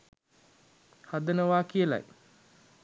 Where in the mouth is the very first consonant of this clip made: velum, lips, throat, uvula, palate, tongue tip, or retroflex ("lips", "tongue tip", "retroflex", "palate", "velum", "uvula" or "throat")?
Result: throat